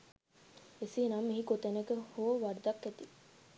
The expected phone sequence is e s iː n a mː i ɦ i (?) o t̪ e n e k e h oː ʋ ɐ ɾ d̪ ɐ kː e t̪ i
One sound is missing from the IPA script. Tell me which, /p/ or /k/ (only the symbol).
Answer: k